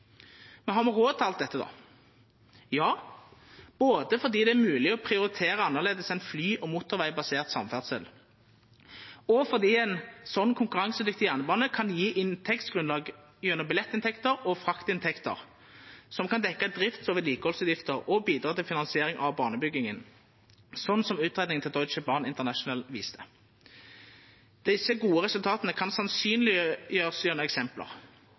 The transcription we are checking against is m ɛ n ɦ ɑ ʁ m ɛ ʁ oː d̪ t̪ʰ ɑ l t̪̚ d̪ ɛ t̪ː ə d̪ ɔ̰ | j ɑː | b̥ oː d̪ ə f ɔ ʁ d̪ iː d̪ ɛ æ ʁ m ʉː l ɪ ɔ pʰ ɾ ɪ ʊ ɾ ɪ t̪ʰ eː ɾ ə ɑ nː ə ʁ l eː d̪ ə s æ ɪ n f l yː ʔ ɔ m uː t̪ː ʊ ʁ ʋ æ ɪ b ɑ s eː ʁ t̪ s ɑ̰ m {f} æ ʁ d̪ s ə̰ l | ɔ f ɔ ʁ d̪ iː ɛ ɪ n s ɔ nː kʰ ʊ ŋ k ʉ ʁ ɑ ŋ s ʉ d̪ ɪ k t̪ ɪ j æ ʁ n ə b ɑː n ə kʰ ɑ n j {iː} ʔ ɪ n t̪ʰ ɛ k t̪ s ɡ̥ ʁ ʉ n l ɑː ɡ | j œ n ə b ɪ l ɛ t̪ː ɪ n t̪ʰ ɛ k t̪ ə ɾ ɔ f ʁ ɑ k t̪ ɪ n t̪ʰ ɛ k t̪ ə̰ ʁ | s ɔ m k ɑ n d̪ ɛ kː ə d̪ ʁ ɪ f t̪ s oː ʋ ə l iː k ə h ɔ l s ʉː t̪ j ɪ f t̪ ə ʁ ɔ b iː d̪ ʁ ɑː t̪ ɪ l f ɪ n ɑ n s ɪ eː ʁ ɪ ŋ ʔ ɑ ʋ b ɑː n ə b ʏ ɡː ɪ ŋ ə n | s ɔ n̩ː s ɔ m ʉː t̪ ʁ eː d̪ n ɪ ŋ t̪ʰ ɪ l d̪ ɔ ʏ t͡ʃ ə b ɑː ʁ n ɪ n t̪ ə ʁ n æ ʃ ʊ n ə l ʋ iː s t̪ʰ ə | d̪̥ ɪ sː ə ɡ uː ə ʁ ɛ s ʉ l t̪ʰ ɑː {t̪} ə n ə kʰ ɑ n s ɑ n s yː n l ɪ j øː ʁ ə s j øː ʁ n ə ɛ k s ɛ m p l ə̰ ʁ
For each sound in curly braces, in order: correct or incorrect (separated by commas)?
correct, correct, correct